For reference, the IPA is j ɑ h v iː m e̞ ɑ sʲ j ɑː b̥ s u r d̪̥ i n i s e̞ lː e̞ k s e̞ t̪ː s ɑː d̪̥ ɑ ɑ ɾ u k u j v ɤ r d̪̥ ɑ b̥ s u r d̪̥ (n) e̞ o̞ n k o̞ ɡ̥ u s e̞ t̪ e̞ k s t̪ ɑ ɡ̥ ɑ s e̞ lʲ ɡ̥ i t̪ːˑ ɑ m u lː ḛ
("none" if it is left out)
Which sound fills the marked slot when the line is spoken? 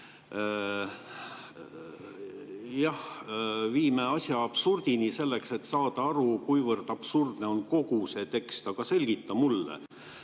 n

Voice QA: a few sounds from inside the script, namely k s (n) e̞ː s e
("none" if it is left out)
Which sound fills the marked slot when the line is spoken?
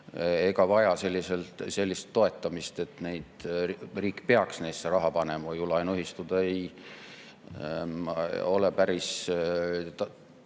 n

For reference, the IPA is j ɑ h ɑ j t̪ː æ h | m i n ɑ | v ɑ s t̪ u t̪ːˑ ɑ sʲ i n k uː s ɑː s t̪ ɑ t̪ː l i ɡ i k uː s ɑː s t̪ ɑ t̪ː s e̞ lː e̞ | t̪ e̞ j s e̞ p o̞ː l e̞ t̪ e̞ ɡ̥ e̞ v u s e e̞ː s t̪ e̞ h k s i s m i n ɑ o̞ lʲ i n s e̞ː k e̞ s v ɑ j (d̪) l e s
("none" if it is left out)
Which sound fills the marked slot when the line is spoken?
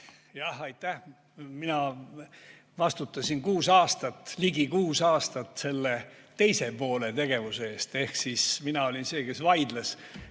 d̪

